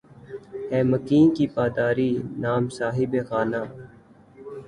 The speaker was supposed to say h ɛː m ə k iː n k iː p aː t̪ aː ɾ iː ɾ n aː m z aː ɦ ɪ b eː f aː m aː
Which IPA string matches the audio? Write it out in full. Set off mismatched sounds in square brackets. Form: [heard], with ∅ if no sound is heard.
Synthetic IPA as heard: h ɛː m ə k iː n k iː p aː [d̪] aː ɾ iː [∅] n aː m [s] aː ɦ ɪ b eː [x] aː [n] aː